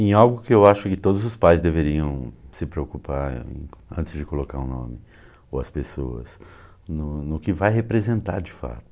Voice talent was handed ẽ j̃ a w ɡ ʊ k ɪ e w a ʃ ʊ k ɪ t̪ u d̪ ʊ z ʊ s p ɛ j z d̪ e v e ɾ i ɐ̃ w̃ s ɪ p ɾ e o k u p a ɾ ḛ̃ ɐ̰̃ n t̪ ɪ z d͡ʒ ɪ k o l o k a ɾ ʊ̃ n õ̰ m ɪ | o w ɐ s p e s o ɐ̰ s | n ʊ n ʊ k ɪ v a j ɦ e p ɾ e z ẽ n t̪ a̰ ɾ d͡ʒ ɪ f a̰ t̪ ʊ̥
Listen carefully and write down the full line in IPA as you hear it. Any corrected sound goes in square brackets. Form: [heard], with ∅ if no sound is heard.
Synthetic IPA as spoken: ẽ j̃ a w ɡ ʊ k ɪ e w a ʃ ʊ k ɪ t̪ [o] d̪ ʊ z ʊ s p [a] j z d̪ e v e ɾ i ɐ̃ w̃ s ɪ p ɾ e o k u p a ɾ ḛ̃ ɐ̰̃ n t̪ ɪ z d͡ʒ ɪ k o l o k a ɾ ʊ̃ n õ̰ m ɪ | o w ɐ s p e s o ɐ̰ s | n ʊ n ʊ k ɪ v a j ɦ e p ɾ e z ẽ n t̪ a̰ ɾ d͡ʒ ɪ f a̰ t̪ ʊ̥